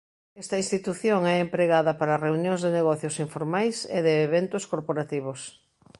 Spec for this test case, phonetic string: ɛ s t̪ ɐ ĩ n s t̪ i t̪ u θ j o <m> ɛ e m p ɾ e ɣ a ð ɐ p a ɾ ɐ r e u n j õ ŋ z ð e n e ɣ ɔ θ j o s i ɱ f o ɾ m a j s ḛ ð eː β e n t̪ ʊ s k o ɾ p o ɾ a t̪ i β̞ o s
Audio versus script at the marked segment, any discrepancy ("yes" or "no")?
yes